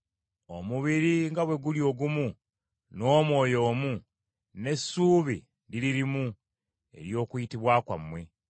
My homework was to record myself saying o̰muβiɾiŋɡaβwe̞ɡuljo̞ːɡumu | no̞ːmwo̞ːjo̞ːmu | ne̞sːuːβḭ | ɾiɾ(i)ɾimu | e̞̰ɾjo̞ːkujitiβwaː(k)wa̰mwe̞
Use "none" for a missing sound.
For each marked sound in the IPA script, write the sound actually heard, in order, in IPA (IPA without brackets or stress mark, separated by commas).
i, k